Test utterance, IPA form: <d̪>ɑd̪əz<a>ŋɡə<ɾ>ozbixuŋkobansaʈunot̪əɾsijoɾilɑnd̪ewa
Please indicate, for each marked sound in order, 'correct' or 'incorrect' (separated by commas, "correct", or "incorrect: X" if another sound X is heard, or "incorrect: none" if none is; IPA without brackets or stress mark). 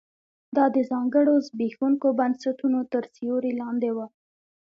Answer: correct, incorrect: ɑ, incorrect: ɽ